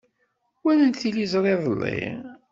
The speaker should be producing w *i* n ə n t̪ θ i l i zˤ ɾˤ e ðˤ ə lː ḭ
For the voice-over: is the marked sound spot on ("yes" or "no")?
no